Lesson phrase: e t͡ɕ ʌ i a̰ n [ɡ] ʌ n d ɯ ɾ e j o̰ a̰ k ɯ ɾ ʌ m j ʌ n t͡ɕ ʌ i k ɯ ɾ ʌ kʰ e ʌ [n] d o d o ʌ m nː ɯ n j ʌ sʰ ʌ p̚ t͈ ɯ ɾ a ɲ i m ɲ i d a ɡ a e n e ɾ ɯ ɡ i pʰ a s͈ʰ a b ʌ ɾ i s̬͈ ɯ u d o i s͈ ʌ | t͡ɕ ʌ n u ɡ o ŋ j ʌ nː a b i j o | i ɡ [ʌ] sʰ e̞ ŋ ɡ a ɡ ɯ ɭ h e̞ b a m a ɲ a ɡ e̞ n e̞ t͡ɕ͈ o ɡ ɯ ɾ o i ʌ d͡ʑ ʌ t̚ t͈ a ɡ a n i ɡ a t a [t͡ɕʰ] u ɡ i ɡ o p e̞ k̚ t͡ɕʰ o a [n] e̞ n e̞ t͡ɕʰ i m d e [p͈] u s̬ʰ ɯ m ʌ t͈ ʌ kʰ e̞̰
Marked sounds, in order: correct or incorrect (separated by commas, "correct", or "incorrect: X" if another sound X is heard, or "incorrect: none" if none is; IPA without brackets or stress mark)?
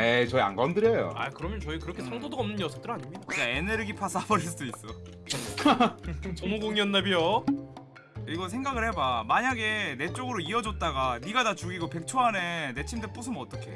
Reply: correct, incorrect: ŋ, correct, incorrect: t͡ɕ, correct, correct